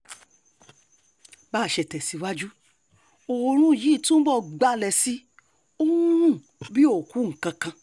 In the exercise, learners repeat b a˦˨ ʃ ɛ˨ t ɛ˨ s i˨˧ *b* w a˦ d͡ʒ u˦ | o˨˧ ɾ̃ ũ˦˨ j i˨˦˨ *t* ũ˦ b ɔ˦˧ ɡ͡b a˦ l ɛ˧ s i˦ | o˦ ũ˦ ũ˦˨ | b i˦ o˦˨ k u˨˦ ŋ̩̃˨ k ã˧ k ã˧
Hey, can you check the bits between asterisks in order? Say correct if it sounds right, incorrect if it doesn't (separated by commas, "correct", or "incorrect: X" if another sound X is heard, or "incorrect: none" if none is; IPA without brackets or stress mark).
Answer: incorrect: none, correct